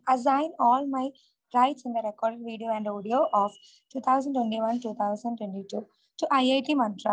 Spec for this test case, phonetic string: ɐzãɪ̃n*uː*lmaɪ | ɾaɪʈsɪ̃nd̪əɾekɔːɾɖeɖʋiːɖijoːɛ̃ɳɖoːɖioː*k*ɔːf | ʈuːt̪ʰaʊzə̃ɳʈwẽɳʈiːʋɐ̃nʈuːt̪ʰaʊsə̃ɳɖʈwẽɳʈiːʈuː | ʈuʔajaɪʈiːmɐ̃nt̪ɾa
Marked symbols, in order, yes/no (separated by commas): no, no